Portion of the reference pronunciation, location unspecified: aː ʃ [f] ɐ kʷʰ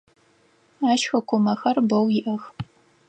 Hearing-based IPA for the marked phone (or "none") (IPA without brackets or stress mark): x